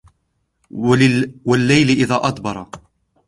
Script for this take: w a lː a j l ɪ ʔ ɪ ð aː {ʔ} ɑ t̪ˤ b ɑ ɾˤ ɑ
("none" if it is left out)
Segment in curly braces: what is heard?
ʔ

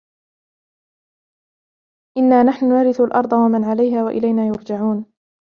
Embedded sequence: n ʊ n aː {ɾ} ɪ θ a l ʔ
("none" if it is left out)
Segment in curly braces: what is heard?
ɾ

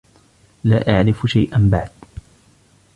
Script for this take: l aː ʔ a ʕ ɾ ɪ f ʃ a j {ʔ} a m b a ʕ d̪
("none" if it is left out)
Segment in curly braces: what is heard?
ʔ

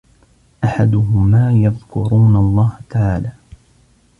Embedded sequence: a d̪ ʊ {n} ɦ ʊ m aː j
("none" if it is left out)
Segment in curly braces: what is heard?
none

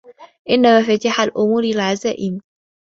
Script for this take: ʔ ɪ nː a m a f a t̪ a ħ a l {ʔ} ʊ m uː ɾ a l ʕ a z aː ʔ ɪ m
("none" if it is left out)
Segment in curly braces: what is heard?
ʔ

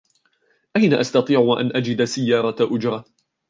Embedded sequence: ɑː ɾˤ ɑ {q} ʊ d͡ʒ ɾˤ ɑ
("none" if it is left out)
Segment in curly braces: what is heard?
ʔ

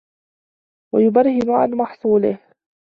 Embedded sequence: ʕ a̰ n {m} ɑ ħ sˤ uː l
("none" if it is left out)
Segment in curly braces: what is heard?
m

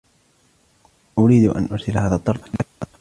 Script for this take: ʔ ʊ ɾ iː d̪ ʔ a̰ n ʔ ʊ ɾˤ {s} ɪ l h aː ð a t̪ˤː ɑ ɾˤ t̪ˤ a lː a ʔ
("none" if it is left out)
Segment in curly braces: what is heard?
s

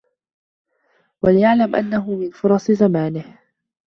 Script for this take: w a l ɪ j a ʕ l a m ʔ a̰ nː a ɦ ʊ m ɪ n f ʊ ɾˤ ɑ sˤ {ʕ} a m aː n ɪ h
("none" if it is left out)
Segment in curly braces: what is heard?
z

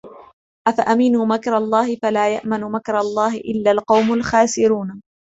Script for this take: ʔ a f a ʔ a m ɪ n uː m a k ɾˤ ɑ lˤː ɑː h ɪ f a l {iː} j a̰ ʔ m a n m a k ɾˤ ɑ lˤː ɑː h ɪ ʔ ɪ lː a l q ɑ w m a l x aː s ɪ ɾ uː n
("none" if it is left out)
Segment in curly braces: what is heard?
aː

